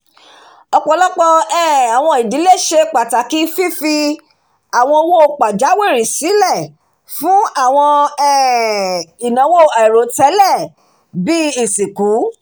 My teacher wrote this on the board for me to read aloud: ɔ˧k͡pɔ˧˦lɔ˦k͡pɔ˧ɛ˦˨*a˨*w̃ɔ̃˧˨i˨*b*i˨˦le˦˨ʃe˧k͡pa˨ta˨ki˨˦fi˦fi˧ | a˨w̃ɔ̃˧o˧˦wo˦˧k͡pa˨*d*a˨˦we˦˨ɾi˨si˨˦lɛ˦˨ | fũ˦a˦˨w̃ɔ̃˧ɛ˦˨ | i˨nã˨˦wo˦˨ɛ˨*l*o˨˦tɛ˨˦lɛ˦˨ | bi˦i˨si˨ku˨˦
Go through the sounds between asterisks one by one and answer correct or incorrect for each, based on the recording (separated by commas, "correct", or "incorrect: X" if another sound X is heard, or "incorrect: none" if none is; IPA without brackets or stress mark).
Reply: correct, incorrect: d, incorrect: d͡ʒ, incorrect: ɾ